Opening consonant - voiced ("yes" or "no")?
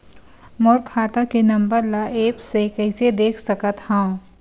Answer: yes